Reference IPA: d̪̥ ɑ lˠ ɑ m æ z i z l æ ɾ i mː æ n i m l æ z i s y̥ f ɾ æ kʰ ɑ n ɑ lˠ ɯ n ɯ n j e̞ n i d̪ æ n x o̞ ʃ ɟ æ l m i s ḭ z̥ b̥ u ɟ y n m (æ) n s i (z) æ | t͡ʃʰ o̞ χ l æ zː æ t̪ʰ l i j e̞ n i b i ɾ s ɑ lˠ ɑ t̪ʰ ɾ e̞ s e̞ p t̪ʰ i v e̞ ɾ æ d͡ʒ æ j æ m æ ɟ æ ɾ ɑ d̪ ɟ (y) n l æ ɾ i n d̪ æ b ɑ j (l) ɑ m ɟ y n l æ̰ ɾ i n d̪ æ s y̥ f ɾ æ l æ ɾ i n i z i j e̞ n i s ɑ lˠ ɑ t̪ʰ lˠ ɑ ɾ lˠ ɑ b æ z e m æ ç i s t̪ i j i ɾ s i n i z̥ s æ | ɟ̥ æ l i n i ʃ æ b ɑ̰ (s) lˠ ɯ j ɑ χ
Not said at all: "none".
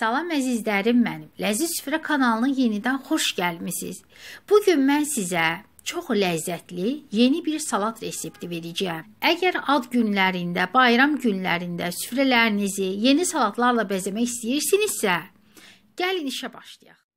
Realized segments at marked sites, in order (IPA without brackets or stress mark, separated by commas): æ, z, y, ɾ, ʃ